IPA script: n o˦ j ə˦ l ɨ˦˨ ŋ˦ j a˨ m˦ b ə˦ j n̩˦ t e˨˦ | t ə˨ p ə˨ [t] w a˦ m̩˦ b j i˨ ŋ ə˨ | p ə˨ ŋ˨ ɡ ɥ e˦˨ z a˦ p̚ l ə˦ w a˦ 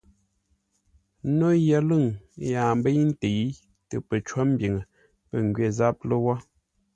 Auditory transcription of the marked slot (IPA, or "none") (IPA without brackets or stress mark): t͡ʃ